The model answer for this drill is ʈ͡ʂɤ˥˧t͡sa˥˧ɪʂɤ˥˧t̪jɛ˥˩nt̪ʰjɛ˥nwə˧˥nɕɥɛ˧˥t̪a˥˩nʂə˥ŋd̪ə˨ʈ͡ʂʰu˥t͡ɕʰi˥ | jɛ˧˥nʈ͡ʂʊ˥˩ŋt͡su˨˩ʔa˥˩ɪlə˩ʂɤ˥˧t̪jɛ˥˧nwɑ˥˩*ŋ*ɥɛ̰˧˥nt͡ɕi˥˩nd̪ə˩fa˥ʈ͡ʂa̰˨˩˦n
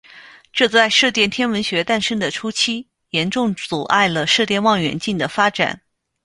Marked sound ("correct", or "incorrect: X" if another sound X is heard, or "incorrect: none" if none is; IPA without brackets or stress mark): correct